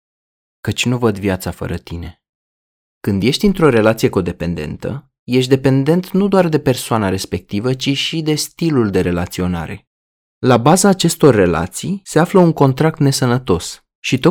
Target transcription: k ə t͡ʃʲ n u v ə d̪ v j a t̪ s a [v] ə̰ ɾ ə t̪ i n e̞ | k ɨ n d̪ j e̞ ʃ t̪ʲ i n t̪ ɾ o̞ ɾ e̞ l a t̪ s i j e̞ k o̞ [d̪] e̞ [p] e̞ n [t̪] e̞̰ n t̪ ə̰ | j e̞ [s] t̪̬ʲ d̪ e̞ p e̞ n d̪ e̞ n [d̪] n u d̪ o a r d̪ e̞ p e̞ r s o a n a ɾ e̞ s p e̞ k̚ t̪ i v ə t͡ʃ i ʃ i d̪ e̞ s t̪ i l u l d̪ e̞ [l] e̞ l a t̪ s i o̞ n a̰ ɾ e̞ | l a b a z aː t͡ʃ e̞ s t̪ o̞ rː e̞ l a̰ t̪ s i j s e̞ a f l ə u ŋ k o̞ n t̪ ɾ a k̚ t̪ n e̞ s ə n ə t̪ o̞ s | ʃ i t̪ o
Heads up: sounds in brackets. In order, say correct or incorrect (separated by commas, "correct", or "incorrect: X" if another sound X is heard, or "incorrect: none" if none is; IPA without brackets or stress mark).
incorrect: f, correct, correct, incorrect: d̪, incorrect: ʃ, incorrect: t̪, incorrect: ɾ